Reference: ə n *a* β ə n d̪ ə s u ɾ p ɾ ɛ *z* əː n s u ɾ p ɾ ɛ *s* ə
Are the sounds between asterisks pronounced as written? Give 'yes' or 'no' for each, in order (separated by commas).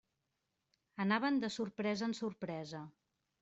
yes, yes, no